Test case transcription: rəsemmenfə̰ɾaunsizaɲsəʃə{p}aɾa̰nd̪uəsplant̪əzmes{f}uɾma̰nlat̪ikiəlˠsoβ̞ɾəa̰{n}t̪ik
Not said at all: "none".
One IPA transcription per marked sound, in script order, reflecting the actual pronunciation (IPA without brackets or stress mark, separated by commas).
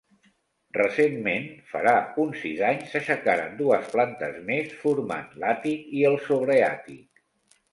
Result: k, f, none